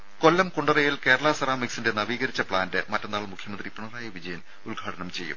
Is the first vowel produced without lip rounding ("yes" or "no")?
no